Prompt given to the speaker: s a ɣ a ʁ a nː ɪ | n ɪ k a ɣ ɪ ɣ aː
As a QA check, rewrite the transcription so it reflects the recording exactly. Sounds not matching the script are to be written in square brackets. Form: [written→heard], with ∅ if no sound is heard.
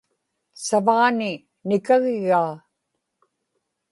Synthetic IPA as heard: s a [ɣ→v] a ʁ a [nː→n] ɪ | n ɪ k a ɣ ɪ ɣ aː